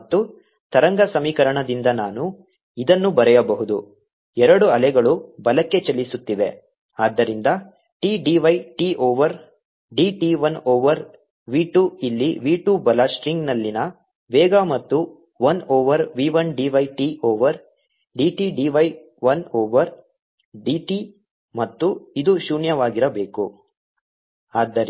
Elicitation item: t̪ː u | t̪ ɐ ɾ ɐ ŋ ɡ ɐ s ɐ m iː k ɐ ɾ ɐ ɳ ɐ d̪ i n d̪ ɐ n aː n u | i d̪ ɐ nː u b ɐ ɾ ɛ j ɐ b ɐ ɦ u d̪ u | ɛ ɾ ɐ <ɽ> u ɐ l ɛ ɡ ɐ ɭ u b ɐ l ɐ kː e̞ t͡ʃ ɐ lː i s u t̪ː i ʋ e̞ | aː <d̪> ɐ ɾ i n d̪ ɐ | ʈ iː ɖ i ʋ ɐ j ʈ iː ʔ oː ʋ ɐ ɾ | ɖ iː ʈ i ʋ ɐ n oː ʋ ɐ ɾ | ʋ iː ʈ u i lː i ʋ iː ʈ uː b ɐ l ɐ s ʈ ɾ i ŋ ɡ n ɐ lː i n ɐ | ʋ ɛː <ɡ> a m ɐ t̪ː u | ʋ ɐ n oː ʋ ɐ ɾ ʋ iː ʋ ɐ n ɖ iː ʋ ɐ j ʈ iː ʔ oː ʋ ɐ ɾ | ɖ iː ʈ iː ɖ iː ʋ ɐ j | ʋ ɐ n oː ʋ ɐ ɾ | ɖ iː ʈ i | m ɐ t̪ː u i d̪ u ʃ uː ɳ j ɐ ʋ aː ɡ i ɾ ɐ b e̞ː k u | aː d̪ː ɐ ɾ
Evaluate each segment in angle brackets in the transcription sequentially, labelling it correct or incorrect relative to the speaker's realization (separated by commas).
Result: correct, incorrect, correct